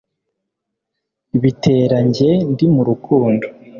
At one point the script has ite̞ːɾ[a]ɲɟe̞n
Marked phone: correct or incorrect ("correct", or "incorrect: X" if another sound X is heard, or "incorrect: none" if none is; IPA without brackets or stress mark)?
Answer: correct